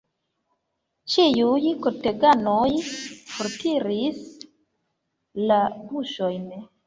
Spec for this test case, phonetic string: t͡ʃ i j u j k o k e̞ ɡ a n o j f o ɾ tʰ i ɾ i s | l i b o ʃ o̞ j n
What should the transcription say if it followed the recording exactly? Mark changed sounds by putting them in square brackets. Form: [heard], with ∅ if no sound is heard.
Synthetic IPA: t͡ʃ i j u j k o [t] e̞ ɡ a n o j f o ɾ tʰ i ɾ i s | l [a] b [u] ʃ o̞ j n

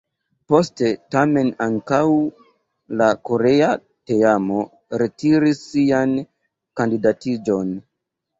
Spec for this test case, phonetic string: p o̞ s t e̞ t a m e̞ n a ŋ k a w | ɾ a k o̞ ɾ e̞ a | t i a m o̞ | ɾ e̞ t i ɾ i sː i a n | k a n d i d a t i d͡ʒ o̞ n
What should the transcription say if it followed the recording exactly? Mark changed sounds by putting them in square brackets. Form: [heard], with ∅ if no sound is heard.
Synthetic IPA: p o̞ s t e̞ t a m e̞ n a ŋ k a w | [l] a k o̞ ɾ e̞ a | t [e] a m o̞ | ɾ e̞ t i ɾ i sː i a n | k a n d i d a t i d͡ʒ o̞ n

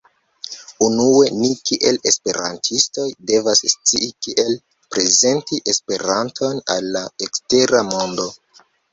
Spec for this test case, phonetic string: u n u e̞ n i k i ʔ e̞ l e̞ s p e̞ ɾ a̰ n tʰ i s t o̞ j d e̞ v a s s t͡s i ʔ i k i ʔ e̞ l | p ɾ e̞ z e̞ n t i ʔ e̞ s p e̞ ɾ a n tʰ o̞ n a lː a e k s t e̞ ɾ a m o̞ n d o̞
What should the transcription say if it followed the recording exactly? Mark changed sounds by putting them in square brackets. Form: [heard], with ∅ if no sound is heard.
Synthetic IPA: u n u e̞ n i k i ʔ e̞ l e̞ s p e̞ ɾ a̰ n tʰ i s t o̞ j d e̞ v a s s t͡s i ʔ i k i ʔ e̞ l | p ɾ e̞ z e̞ n t i ʔ e̞ s p e̞ ɾ a n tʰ o̞ n a lː a e k s t e̞ ɾ a m o̞ n d o̞

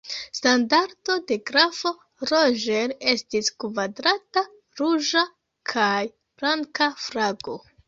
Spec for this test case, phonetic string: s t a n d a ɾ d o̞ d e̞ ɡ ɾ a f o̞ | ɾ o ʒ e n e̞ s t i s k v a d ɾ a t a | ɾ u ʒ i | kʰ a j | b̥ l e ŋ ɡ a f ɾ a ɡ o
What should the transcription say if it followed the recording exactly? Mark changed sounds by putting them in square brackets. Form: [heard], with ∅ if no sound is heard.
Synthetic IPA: s t a n d a ɾ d o̞ d e̞ ɡ ɾ a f o̞ | ɾ o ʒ e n e̞ s t i s k v a d ɾ a t a | ɾ u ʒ [a] | kʰ a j | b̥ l [a] ŋ [k] a f ɾ a ɡ o

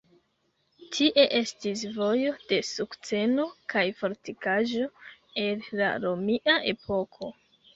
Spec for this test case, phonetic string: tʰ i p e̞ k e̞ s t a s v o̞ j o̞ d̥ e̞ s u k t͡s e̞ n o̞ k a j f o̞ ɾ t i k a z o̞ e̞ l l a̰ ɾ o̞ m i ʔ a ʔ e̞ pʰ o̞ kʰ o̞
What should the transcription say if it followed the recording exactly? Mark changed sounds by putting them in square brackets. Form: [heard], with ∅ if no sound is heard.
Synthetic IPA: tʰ i [ʔ] e̞ [ʔ] e̞ s t [i] s v o̞ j o̞ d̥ e̞ s u k t͡s e̞ n o̞ k a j f o̞ ɾ t i k a [ʒ] o̞ e̞ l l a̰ ɾ o̞ m i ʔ a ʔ e̞ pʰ o̞ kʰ o̞

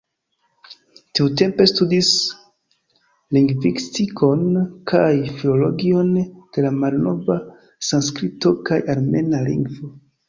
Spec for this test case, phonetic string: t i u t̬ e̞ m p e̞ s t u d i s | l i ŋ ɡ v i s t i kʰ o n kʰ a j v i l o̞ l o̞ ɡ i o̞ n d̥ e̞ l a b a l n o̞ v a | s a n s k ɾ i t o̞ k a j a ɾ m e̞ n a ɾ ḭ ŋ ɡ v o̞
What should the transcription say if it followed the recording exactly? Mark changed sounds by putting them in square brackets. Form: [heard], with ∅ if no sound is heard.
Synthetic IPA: t i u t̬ e̞ m p e̞ s t u d i s | l i ŋ ɡ v i s t i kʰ o n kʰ a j [f] i l o̞ l o̞ ɡ i o̞ n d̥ e̞ l a [m] a l n o̞ v a | s a n s k ɾ i t o̞ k a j a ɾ m e̞ n a [l] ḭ ŋ ɡ v o̞

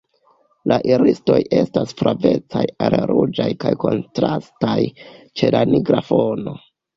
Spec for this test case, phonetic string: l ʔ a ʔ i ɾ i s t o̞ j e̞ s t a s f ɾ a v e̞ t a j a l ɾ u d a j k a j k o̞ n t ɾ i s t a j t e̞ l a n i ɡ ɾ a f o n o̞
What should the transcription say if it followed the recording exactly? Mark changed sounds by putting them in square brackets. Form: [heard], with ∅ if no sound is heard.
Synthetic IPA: l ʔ a ʔ i ɾ i s t o̞ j e̞ s t a s f ɾ a v e̞ [t͡s] a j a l ɾ u [d͡ʒ] a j k a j k o̞ n t ɾ [a] s t a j [t͡ʃ] e̞ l a n i ɡ ɾ a f o n o̞

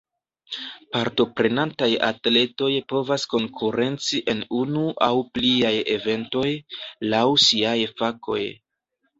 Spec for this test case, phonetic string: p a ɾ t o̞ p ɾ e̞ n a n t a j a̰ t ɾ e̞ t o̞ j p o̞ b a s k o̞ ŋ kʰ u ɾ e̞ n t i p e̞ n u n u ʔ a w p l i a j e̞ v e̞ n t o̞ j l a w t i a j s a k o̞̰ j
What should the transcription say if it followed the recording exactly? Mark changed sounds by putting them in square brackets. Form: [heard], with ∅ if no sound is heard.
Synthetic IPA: p a ɾ t o̞ p ɾ e̞ n a n t a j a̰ t [l] e̞ t o̞ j p o̞ [v] a s k o̞ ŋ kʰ u ɾ e̞ n [t͡s] i [ʔ] e̞ n u n u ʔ a w p l i a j e̞ v e̞ n t o̞ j l a w [s] i a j [f] a k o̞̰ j

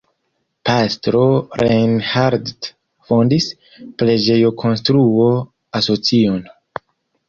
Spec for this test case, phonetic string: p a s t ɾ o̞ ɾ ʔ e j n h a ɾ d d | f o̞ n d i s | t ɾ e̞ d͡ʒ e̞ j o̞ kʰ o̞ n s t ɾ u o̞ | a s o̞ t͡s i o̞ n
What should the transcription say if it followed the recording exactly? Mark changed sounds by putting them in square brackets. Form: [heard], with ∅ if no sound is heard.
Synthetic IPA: p a s t ɾ o̞ ɾ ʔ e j n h a ɾ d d | f o̞ n d i s | [p] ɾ e̞ d͡ʒ e̞ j o̞ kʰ o̞ n s t ɾ u o̞ | a s o̞ t͡s i o̞ n

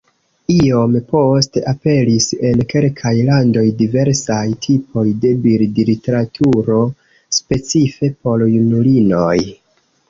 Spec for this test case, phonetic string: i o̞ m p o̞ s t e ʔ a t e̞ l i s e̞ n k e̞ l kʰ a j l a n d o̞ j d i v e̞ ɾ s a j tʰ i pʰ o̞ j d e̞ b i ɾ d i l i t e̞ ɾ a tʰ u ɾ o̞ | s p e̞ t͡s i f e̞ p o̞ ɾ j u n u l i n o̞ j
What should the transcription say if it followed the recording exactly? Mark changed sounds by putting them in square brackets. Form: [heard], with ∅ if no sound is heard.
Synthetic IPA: i o̞ m p o̞ s t e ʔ a [p] e̞ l i s e̞ n k e̞ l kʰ a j l a n d o̞ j d i v e̞ ɾ s a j tʰ i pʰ o̞ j d e̞ b i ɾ d i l i t e̞ ɾ a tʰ u ɾ o̞ | s p e̞ t͡s i f e̞ p o̞ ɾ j u n u l i n o̞ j

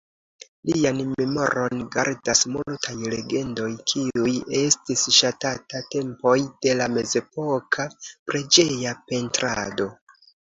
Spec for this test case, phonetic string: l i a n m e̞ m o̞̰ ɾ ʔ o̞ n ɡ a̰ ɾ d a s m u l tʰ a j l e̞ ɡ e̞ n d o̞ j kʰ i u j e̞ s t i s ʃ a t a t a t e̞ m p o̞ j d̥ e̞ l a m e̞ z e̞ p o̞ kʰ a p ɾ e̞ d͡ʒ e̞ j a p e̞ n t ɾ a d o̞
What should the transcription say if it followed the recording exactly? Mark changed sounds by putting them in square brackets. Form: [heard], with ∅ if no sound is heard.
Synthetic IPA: l i a n m e̞ m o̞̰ ɾ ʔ o̞ n ɡ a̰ ɾ d a s m u l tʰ a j l e̞ ɡ e̞ n d o̞ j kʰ i u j e̞ s t i s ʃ a t a t a t e̞ m p o̞ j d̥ e̞ l a m e̞ z e̞ p o̞ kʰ a p ɾ e̞ d͡ʒ e̞ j a p e̞ n t ɾ a d o̞

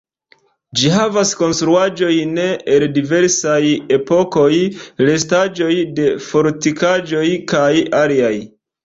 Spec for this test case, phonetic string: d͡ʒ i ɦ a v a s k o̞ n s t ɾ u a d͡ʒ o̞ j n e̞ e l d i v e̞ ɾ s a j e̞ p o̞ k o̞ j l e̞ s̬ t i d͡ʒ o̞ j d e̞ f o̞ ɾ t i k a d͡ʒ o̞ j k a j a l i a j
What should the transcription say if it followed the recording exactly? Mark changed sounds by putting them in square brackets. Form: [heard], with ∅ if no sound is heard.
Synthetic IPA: d͡ʒ i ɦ a v a s k o̞ n s t ɾ u a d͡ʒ o̞ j n e̞ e l d i v e̞ ɾ s a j e̞ p o̞ k o̞ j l e̞ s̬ t [a] d͡ʒ o̞ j d e̞ f o̞ ɾ t i k a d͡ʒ o̞ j k a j a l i a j

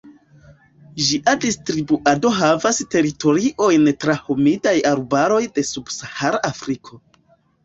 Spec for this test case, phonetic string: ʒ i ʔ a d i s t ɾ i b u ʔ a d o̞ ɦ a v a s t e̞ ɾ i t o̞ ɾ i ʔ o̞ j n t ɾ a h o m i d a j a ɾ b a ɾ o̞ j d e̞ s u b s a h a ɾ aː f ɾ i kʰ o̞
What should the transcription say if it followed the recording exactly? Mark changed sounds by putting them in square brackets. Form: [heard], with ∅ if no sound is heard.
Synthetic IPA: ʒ i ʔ a d i s t ɾ i b u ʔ a d o̞ ɦ a v a s t e̞ ɾ i t o̞ ɾ i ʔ o̞ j n t ɾ a h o m i d a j a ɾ b a ɾ o̞ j d e̞ s u b s a h a ɾ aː f ɾ i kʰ o̞

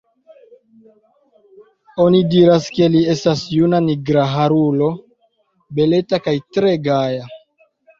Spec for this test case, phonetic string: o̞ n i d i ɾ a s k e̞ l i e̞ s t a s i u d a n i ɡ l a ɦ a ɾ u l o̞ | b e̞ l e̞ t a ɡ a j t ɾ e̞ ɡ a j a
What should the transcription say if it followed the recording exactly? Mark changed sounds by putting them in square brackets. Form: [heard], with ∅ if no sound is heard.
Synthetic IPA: o̞ n i d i ɾ a s k e̞ l i e̞ s t a s [j] u [n] a n i ɡ [ɾ] a ɦ a ɾ u l o̞ | b e̞ l e̞ t a [k] a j t ɾ e̞ ɡ a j a

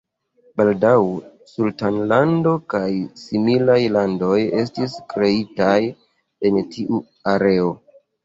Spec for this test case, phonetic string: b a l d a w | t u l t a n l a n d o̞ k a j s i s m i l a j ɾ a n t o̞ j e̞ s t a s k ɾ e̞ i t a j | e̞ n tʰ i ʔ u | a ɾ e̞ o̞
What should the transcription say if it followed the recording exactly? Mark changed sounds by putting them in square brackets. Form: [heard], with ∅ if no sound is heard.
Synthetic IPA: b a l d a w | [s] u l t a n l a n d o̞ k a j s i [∅] m i l a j [l] a n [d] o̞ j e̞ s t [i] s k ɾ e̞ i t a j | e̞ n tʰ i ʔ u | a ɾ e̞ o̞

